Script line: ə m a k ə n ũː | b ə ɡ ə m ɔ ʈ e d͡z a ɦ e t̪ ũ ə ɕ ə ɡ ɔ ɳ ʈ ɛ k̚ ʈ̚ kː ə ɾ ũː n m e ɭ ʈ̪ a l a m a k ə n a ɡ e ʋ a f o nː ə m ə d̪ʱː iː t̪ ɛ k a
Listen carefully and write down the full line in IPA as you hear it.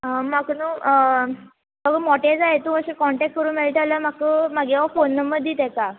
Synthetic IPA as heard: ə m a k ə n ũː | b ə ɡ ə m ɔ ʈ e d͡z a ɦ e t̪ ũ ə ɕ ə k ɔ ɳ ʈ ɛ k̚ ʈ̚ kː ə ɾ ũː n m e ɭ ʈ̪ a l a m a k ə m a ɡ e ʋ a f o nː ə m ə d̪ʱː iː t̪ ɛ k a